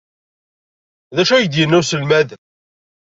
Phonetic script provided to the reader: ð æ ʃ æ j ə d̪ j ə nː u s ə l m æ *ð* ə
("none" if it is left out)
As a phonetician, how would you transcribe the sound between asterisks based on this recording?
ð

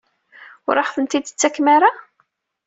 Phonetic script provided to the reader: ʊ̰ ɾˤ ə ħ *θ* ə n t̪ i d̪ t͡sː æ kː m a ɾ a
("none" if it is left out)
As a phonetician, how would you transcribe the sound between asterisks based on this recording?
θ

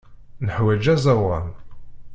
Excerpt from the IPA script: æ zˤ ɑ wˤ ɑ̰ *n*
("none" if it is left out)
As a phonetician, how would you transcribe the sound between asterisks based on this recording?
n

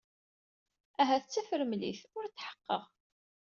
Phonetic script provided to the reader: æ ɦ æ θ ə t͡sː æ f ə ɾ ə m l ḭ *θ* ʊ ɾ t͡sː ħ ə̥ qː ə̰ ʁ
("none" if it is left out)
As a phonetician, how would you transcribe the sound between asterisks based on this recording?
θ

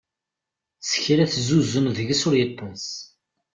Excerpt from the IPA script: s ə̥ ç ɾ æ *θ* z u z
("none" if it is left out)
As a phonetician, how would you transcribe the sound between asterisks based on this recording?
θ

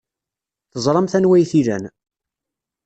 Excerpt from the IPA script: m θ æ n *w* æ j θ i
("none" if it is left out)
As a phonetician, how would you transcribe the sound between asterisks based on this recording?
w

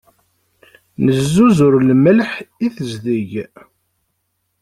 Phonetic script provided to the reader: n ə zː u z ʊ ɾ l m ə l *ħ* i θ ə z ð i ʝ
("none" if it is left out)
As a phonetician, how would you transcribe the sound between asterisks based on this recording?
ħ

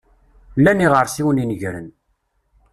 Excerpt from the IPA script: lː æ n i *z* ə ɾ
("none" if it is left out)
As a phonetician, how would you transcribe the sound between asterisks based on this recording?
ʁ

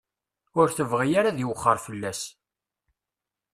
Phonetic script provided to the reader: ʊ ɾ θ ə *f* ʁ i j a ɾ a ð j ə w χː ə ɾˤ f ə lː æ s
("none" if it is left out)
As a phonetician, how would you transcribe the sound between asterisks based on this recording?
v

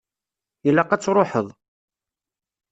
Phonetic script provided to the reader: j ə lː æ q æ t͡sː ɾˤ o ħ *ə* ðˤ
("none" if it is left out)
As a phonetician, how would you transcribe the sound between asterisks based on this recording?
ə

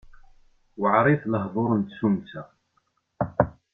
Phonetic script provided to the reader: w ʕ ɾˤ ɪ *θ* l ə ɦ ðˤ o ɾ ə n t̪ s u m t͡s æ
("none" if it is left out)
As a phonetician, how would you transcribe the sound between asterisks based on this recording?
θ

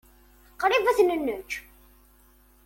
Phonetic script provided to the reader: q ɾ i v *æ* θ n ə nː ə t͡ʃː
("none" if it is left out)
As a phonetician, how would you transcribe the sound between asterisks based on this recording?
æ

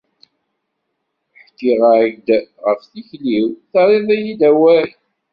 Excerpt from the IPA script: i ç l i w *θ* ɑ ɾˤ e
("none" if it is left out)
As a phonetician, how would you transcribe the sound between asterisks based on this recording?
θ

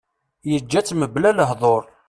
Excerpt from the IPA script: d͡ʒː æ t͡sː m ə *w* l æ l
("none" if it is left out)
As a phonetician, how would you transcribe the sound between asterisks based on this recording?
b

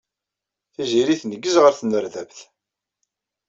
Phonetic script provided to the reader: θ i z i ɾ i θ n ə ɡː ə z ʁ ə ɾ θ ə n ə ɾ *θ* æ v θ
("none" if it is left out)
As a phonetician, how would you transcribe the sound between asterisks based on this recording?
ð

